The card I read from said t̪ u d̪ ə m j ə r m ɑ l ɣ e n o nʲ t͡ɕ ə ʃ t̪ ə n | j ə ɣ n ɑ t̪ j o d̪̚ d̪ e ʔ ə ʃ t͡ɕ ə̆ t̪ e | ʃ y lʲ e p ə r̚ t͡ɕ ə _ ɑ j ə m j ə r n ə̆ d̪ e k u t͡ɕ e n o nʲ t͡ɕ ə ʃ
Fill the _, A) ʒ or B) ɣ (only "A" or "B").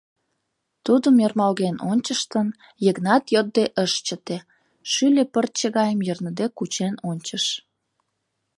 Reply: B